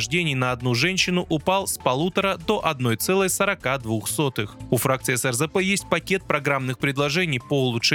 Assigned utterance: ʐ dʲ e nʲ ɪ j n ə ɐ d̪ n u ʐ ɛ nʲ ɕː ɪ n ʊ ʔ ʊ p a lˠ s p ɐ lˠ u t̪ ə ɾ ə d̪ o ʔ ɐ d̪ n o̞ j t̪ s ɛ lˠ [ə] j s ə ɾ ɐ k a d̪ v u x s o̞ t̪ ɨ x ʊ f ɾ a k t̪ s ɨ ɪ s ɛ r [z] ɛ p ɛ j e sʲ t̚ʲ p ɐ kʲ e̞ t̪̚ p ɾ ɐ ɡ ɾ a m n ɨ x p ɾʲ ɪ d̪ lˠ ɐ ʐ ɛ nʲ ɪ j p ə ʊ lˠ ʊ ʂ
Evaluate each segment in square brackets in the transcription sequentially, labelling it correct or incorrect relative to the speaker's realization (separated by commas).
correct, correct